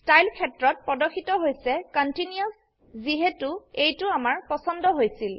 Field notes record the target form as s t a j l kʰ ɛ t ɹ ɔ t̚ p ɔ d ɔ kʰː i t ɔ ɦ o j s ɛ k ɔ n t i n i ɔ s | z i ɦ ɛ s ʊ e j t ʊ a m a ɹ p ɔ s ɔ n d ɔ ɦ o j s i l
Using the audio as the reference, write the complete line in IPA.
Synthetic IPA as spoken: s t a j l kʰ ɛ t ɹ ɔ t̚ p ɔ d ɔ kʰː i t ɔ ɦ o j s ɛ k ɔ n t i n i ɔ s | z i ɦ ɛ t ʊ e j t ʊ a m a ɹ p ɔ s ɔ n d ɔ ɦ o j s i l

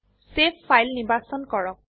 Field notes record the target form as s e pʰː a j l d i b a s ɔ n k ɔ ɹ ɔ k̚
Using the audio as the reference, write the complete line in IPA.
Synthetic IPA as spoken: s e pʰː a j l n i b a s ɔ n k ɔ ɹ ɔ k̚

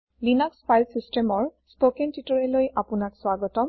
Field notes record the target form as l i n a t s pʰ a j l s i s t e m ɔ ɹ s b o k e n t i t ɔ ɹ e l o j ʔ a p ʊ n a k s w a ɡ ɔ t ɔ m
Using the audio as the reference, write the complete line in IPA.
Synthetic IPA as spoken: l i n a k s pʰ a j l s i s t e m ɔ ɹ s p o k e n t i t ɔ ɹ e l o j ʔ a p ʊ n a k s w a ɡ ɔ t ɔ m

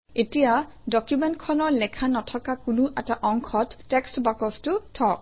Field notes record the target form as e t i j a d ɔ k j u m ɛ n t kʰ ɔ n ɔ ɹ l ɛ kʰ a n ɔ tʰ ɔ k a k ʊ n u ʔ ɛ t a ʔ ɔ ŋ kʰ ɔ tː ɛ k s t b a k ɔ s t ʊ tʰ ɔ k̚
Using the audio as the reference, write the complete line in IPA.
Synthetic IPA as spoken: e t i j a d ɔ k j u m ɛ n t kʰ ɔ n ɔ ɹ l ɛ kʰ a n ɔ tʰ ɔ k a k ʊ n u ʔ ɛ t a ʔ ɔ ŋ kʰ ɔ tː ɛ k s t b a k ɔ s t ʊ tʰ ɔ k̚

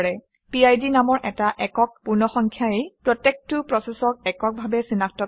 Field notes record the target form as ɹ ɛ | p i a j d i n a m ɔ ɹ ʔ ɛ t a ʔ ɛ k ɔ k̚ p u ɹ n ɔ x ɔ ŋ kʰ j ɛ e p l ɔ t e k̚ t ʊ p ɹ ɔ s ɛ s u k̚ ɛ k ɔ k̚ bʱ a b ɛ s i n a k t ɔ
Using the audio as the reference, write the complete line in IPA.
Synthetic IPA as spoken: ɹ ɛ | p i a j d i n a m ɔ ɹ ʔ ɛ t a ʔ ɛ k ɔ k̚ p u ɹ n ɔ x ɔ ŋ kʰ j a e p ɹ ɔ t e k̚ t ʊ p ɹ ɔ s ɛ s ɔ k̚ ɛ k ɔ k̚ bʱ a b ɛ s i n a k t ɔ

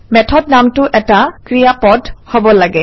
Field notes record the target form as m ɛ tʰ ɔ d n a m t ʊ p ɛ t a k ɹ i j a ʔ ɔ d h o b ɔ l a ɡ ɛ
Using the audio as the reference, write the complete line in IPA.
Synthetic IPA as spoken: m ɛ tʰ ɔ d n a m t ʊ ʔ ɛ t a k ɹ i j a p ɔ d h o b ɔ l a ɡ ɛ

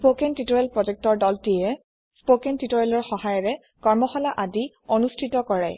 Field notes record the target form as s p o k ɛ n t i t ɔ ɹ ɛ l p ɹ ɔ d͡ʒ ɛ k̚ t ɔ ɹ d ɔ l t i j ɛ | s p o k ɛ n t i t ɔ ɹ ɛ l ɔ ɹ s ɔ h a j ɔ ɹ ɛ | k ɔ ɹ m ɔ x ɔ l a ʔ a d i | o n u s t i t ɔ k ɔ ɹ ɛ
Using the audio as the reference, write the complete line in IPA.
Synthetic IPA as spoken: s p o k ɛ n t i t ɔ ɹ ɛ l p ɹ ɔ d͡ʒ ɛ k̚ t ɔ ɹ d ɔ l t i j ɛ | s p o k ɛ n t i t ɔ ɹ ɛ l ɔ ɹ x ɔ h a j ɔ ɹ ɛ | k ɔ ɹ m ɔ x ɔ l a ʔ a d i | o n u s tʰ i t ɔ k ɔ ɹ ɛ

